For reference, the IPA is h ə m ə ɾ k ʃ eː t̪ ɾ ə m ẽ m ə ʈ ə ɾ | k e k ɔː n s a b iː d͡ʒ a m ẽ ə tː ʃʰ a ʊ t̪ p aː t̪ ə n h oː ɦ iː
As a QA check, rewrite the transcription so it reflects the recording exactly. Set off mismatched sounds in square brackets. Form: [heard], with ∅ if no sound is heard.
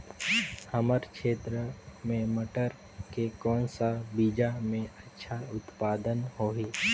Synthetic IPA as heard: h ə m ə ɾ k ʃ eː t̪ ɾ ə m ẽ m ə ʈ ə ɾ | k e k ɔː n s a b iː d͡ʒ a m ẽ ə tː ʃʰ a ʊ t̪ p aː [d̪] ə n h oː ɦ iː